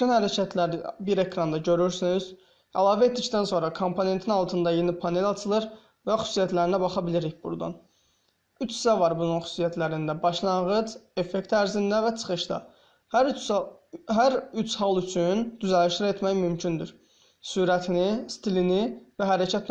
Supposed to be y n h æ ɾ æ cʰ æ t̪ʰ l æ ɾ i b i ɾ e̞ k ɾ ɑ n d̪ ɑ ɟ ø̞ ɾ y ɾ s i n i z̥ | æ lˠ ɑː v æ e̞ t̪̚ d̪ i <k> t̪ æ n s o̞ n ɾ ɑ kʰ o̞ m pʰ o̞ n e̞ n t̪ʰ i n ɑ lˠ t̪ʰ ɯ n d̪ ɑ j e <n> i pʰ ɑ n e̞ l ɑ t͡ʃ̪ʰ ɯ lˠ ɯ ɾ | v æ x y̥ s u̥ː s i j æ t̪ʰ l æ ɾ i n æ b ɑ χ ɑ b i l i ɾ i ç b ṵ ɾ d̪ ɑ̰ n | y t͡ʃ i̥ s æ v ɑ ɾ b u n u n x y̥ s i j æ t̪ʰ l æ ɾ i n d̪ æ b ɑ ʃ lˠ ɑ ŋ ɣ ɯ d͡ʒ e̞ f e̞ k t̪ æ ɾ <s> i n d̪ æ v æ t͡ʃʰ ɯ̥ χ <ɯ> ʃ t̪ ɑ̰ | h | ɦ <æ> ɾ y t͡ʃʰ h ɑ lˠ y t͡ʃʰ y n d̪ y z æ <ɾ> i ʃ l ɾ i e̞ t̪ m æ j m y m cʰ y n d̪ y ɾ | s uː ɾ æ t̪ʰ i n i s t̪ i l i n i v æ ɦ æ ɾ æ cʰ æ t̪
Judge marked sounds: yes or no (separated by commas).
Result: no, yes, no, yes, yes, no